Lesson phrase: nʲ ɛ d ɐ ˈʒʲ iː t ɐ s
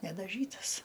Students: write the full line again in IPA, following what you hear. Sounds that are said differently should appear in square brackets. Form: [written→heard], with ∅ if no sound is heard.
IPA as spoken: nʲ ɛ d ɐ ˈʒʲ iː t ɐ s